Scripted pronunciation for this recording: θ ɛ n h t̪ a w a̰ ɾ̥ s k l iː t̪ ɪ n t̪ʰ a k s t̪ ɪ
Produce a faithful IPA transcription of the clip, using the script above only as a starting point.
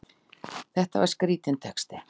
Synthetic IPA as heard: θ ɛ h t̪ a v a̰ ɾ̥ s k ɾ iː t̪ ɪ n t̪ʰ ɛ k s t̪ ɪ